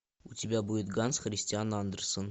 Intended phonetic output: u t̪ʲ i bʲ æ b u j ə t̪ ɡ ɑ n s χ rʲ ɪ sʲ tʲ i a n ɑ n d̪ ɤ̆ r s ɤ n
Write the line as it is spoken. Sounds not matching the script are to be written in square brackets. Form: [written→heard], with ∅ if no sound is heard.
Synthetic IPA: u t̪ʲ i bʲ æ b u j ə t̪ ɡ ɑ n s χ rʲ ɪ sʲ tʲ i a n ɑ n d̪ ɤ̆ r s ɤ n